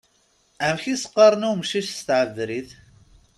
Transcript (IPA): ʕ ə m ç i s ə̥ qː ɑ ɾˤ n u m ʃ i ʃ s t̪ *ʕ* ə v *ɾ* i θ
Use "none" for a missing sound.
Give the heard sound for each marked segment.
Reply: ʕ, ɾ

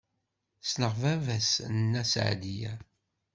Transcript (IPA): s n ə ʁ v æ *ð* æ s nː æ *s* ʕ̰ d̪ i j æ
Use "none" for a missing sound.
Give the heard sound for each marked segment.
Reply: v, s

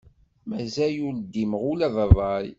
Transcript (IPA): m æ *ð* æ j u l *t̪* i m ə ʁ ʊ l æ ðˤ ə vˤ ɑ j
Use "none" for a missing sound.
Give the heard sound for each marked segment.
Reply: z, d̪

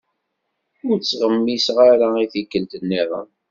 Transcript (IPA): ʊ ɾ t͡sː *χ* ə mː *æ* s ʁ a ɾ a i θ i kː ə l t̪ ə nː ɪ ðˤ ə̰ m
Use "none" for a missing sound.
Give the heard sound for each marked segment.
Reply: ʁ, i

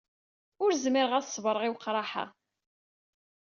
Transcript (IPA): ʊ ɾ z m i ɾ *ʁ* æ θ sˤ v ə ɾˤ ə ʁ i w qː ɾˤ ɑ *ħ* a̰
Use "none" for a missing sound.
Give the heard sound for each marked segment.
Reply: ʁ, ħ

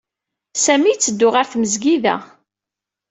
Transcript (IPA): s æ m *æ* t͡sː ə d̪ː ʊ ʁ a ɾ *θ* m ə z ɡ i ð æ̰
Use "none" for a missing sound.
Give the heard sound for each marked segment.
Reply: i, θ

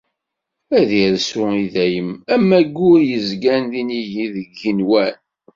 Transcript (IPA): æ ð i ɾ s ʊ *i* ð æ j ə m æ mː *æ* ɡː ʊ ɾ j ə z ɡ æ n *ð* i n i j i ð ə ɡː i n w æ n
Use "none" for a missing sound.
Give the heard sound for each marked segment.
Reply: i, æ, ð

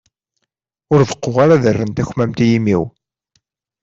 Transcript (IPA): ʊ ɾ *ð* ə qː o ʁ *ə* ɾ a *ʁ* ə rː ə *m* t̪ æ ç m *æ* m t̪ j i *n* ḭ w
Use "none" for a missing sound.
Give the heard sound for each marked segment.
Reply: ð, a, ð, n, æ, m

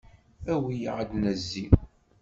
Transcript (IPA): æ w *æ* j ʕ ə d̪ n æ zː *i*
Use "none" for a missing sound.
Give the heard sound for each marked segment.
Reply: i, i

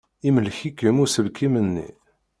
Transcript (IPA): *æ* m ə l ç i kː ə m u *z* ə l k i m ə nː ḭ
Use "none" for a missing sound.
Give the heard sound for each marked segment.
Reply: i, s

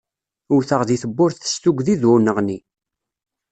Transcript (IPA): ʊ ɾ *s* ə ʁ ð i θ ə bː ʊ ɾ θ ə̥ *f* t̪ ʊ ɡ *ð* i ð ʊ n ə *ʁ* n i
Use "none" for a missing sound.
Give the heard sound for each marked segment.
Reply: θ, s, ð, ʁ

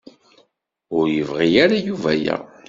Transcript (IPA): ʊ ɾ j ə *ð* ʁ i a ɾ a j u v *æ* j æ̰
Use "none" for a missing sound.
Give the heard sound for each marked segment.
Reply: v, æ

